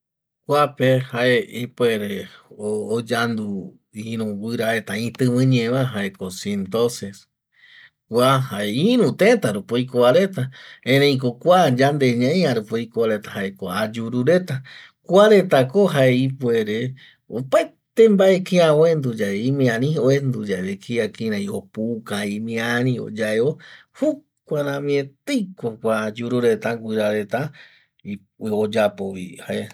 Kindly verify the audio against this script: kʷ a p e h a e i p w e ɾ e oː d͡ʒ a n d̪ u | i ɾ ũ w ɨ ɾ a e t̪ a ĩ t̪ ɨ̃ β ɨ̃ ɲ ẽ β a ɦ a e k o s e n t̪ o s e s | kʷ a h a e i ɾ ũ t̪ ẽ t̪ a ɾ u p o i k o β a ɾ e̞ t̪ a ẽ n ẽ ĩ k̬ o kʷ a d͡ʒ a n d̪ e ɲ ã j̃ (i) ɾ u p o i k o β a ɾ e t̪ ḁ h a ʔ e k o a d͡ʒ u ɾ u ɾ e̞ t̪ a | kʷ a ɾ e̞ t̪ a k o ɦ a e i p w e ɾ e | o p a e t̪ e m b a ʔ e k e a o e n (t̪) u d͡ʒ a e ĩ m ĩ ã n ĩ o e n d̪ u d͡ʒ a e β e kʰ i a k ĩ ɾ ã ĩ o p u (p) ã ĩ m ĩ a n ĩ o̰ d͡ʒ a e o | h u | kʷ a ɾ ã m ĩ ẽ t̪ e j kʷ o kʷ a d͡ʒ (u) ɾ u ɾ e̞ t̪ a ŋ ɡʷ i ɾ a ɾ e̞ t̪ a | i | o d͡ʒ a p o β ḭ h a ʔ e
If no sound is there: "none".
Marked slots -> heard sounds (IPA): a, d̪, k, u

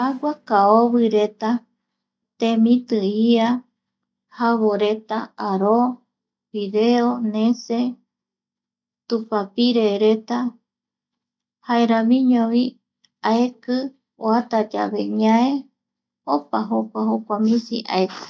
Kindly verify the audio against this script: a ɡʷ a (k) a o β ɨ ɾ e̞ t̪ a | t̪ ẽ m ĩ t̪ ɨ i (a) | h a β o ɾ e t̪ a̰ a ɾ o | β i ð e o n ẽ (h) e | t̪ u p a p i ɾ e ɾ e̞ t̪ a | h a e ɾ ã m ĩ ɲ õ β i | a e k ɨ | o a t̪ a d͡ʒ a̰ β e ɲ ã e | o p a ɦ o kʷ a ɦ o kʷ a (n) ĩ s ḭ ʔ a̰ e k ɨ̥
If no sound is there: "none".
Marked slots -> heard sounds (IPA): k, a, s, m

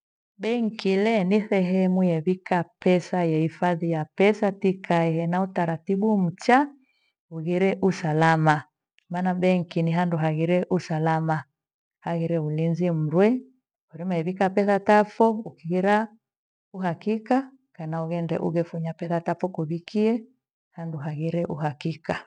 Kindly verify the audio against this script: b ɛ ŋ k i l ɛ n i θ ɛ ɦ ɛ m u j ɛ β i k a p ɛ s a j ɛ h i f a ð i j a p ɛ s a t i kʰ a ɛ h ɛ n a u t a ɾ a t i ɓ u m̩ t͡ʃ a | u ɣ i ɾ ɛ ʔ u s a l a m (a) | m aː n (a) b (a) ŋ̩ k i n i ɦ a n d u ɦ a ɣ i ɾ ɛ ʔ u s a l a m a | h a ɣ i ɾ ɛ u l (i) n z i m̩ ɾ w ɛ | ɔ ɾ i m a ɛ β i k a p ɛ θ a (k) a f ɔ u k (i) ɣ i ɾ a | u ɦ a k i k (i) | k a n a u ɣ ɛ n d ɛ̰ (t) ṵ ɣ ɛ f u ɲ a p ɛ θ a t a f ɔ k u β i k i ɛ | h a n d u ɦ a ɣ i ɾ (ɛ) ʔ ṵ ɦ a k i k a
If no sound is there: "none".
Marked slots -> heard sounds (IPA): a, a, ɛ, i, t, i, a, ʔ, ɛ

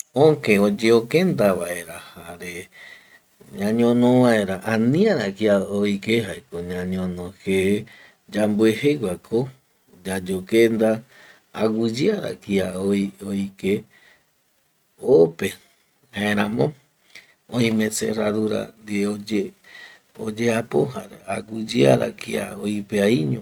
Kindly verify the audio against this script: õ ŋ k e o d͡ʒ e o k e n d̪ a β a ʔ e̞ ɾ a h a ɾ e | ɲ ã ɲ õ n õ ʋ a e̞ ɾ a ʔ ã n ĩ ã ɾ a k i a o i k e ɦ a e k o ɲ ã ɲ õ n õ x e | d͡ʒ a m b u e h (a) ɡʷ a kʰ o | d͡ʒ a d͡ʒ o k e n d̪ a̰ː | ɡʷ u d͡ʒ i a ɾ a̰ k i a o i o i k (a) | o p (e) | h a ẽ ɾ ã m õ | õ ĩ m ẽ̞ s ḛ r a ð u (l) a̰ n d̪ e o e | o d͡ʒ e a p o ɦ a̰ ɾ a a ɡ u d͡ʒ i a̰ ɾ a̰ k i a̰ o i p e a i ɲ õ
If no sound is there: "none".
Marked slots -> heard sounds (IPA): e, e, e, ɾ

